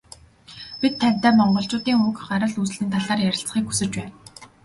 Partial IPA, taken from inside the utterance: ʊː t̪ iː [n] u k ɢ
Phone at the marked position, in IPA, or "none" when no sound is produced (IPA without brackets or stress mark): ŋ